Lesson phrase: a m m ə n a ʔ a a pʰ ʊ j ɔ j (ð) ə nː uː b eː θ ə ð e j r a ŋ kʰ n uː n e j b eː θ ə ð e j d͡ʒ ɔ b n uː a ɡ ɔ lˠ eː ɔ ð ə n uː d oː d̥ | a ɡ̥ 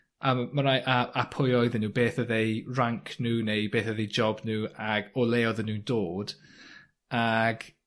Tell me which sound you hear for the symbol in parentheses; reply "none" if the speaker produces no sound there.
ð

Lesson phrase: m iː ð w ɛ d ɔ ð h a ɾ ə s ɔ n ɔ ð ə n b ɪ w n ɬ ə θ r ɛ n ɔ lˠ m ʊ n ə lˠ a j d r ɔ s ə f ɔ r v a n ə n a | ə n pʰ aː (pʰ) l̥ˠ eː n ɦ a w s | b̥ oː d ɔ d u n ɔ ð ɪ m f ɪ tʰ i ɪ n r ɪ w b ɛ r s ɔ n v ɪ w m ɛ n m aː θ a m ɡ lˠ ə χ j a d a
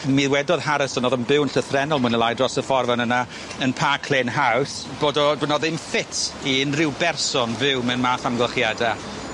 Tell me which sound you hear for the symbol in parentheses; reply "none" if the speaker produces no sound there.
kʰ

